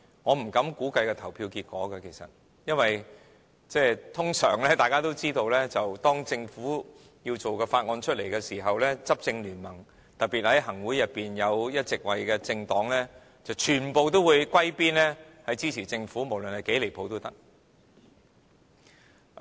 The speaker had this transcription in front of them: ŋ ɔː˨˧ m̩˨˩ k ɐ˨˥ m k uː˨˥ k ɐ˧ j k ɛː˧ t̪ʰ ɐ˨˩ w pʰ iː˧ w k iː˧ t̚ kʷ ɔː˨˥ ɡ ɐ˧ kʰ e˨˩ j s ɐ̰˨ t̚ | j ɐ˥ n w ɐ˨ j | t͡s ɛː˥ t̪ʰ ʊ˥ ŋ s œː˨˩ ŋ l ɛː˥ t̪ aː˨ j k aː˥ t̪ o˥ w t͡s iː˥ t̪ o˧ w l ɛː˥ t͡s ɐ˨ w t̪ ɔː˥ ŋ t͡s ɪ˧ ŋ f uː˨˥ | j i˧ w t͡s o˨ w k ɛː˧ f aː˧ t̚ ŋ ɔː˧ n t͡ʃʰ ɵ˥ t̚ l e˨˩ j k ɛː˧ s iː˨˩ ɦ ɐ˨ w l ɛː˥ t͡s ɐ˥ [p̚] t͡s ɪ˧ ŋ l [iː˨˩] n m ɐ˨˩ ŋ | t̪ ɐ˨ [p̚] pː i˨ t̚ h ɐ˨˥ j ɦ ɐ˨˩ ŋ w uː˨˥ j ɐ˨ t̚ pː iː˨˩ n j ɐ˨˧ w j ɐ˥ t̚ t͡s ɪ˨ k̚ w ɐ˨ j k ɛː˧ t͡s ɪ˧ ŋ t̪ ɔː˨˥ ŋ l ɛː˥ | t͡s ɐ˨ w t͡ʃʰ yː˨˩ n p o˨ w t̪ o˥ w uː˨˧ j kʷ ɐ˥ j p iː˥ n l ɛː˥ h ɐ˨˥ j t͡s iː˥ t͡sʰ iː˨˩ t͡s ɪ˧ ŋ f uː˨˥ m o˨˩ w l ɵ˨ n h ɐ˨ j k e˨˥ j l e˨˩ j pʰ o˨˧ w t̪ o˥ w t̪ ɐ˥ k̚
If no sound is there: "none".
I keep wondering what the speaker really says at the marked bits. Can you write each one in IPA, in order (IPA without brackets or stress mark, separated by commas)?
p̚, yː˨˩, t̚